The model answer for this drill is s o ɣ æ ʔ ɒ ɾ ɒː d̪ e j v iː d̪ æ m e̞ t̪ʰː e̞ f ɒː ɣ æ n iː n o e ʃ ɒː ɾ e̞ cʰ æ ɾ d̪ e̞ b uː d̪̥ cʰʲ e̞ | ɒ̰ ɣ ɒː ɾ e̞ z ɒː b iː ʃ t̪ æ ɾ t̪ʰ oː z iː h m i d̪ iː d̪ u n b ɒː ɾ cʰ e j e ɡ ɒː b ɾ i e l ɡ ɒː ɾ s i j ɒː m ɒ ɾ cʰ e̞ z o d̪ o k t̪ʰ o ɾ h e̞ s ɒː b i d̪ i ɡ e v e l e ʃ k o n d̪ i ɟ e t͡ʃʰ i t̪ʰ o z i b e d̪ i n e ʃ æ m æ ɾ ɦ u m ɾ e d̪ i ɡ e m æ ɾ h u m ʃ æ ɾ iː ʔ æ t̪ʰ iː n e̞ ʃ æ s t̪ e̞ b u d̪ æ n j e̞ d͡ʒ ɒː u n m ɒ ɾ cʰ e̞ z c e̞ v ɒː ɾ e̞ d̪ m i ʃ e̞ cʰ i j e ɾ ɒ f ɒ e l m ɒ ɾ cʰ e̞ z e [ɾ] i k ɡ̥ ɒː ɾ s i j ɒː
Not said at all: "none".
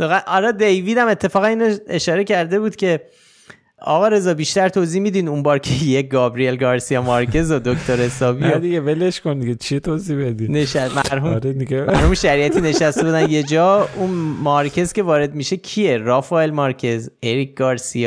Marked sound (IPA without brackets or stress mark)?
ɾ